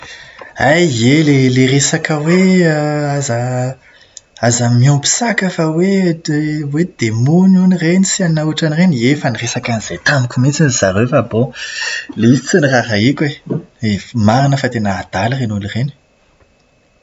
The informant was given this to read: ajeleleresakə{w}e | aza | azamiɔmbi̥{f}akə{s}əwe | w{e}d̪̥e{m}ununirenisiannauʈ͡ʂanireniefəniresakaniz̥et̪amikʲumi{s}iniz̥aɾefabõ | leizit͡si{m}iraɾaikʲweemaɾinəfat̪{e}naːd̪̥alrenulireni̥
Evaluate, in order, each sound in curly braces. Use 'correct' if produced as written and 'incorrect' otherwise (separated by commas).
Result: correct, incorrect, incorrect, correct, correct, incorrect, incorrect, correct